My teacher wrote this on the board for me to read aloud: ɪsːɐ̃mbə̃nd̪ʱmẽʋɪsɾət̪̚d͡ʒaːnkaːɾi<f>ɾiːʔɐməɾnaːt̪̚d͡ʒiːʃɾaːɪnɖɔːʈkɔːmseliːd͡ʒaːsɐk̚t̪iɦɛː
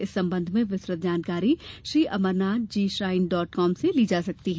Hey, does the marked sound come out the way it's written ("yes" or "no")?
no